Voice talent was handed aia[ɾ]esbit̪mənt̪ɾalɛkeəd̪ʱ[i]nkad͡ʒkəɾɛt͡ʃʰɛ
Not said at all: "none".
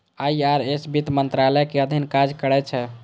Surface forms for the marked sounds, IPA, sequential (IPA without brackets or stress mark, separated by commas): ɾ, i